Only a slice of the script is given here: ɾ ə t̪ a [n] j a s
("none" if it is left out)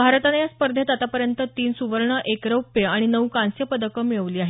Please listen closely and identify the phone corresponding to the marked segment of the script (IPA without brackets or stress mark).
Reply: n